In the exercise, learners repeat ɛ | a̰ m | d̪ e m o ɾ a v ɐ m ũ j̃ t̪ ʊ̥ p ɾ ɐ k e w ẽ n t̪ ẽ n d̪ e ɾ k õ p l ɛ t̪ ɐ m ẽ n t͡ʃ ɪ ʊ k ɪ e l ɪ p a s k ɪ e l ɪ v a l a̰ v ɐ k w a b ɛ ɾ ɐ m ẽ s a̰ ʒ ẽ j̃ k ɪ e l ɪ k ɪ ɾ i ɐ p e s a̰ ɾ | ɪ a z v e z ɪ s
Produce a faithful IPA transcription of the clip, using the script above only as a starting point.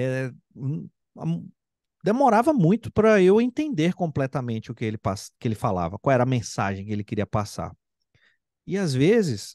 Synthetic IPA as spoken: ɛ | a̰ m | d̪ e m o ɾ a v ɐ m ũ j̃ t̪ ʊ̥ p ɾ ɐ e w ẽ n t̪ ẽ n d̪ e ɾ k õ p l ɛ t̪ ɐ m ẽ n t͡ʃ ɪ ʊ k ɪ e l ɪ p a s k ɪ e l ɪ f a l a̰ v ɐ k w a w ɛ ɾ ɐ m ẽ s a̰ ʒ ẽ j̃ k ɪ e l ɪ k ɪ ɾ i ɐ p a s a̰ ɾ | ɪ a z v e z ɪ s

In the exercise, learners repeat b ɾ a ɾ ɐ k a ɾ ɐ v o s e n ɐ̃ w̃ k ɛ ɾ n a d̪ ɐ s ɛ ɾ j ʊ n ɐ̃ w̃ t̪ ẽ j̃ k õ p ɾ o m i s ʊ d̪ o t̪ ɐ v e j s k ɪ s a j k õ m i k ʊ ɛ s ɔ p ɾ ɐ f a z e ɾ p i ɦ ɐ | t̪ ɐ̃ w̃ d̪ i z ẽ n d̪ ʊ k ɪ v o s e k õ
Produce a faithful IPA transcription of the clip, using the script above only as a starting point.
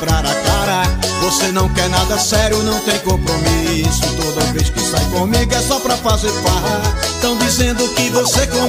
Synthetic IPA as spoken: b ɾ a ɾ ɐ k a ɾ ɐ v o s e n ɐ̃ w̃ k ɛ ɾ n a d̪ ɐ s ɛ ɾ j ʊ n ɐ̃ w̃ t̪ ẽ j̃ k õ p ɾ o m i s ʊ t̪ o d̪ ɐ v e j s k ɪ s a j k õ m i ɡ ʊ ɛ s ɔ p ɾ ɐ f a z e ɾ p a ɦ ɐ | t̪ ɐ̃ w̃ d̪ i z ẽ n d̪ ʊ k ɪ v o s e k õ

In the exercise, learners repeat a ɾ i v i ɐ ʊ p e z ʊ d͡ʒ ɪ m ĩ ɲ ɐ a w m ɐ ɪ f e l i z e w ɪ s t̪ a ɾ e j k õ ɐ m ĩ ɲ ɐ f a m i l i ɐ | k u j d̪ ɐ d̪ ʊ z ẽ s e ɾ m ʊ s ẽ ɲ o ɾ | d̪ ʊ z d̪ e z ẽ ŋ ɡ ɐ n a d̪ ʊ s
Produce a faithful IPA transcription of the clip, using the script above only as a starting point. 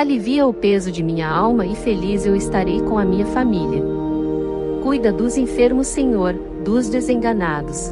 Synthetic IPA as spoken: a l i v i ɐ ʊ p e z ʊ d͡ʒ ɪ m ĩ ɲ ɐ a w m ɐ ɪ f e l i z e w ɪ s t̪ a ɾ e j k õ ɐ m ĩ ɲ ɐ f a m i l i ɐ | k u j d̪ ɐ d̪ ʊ z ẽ f e ɾ m ʊ s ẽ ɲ o ɾ | d̪ ʊ z d̪ e z ẽ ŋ ɡ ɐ n a d̪ ʊ s

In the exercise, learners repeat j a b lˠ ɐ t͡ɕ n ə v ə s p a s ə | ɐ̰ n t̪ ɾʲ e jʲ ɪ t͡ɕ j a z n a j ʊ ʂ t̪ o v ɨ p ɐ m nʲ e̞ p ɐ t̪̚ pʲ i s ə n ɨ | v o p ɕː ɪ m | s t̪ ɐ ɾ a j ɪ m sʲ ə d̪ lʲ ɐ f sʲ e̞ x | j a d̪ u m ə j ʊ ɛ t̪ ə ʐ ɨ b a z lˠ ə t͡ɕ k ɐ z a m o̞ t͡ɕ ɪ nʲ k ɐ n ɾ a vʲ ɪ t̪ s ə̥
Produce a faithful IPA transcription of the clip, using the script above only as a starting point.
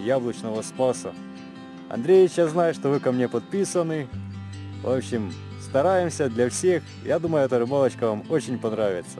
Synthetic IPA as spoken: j a b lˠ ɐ t͡ɕ n ə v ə s p a s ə | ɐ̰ n d̪ ɾʲ e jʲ ɪ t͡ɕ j a z n a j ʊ ʂ t̪ o v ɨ k ɐ m nʲ e̞ p ɐ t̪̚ pʲ i s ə n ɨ | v o p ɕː ɪ m | s t̪ ɐ ɾ a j ɪ m sʲ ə d̪ lʲ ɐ f sʲ e̞ x | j a d̪ u m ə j ʊ ɛ t̪ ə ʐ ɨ b a lˠ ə t͡ɕ k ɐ v a m o̞ t͡ɕ ɪ nʲ p ɐ n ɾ a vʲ ɪ t̪ s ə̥

